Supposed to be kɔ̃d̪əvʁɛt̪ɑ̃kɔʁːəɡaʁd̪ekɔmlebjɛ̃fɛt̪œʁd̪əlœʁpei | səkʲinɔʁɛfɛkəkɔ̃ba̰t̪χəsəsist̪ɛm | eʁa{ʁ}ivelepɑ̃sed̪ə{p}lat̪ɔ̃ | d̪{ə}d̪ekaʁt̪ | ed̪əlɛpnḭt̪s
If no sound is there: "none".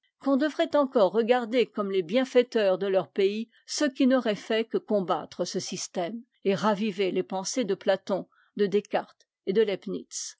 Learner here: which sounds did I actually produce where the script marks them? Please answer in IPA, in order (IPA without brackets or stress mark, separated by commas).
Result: v, p, ə